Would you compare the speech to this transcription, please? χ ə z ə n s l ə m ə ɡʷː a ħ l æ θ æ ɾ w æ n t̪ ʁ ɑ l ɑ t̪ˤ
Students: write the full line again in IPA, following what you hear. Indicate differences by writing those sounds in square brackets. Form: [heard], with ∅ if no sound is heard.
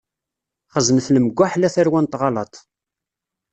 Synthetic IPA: χ ə z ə n [θ] l ə m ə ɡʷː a ħ l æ θ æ ɾ w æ n t̪ ʁ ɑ l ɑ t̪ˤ

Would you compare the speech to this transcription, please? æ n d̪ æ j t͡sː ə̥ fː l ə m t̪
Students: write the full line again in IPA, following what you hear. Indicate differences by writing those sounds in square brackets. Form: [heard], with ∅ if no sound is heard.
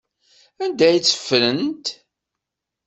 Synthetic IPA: æ n d̪ æ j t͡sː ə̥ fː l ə [n] t̪

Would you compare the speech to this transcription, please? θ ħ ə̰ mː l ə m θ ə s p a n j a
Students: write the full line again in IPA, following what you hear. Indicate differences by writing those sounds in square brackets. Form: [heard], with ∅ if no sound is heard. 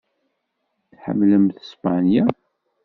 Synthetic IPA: θ ħ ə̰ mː l ə m θ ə s p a n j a

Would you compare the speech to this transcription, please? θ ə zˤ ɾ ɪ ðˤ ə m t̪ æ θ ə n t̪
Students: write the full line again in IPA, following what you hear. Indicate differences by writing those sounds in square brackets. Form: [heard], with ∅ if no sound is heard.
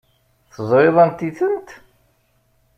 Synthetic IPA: θ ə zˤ ɾ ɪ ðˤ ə [n] t̪ [i] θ ə n t̪

